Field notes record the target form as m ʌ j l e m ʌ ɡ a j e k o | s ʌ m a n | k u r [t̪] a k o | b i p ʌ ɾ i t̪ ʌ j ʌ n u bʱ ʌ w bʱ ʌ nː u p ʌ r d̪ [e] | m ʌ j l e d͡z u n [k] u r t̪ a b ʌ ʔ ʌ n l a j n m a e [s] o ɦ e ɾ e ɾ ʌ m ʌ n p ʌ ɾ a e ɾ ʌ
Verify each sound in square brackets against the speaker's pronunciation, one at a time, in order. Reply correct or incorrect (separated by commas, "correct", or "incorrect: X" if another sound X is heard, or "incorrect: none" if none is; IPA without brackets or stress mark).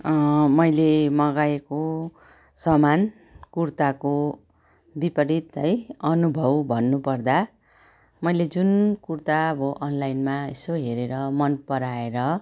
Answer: correct, incorrect: a, correct, correct